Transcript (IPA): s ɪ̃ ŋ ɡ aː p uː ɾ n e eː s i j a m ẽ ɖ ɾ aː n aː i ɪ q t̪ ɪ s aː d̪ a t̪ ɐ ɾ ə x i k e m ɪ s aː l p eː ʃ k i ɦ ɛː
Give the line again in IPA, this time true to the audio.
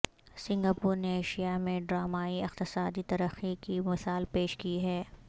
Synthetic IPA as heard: s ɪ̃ ŋ ɡ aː p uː ɾ n e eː ʃ i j a m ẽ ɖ ɾ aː m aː i ɪ q t̪ ɪ s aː d̪ i t̪ ɐ ɾ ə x i k i m ɪ s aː l p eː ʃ k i ɦ ɛː